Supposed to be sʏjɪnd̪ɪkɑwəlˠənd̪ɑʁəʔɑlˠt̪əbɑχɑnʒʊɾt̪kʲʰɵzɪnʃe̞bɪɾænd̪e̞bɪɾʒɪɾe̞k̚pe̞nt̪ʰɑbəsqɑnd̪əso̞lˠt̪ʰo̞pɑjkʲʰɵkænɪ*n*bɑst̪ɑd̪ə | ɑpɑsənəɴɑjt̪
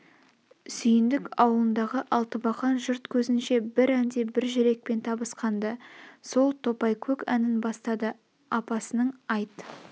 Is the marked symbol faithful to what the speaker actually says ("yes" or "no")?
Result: yes